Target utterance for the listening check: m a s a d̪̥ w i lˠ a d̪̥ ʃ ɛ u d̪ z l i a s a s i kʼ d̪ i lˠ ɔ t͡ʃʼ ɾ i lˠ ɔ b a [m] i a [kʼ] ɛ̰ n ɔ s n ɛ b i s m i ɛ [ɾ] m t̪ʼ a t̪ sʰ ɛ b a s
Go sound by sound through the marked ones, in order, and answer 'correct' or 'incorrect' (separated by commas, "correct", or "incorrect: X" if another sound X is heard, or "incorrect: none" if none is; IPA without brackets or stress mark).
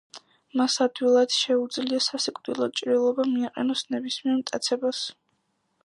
correct, incorrect: qʼ, correct